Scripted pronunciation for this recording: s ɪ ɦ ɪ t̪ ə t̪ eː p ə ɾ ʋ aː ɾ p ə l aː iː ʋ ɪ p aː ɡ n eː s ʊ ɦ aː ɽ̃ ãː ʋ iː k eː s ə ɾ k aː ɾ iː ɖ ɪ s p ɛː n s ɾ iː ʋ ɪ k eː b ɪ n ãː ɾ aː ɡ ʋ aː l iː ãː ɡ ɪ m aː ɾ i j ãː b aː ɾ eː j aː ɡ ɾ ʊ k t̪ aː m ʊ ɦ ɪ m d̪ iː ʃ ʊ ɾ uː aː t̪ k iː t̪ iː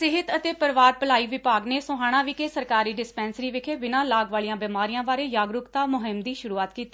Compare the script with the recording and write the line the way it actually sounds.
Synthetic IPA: s ɪ ɦ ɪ t̪ ə t̪ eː p ə ɾ ʋ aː ɾ p ə l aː iː ʋ ɪ p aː ɡ n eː s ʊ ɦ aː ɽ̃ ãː ʋ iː k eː s ə ɾ k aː ɾ iː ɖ ɪ s p ɛː n s ɾ iː ʋ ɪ kʰ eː b ɪ n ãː l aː ɡ ʋ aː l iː ãː b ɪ m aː ɾ i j ãː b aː ɾ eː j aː ɡ ɾ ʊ k t̪ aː m ʊ ɦ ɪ m d̪ iː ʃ ʊ ɾ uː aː t̪ k iː t̪ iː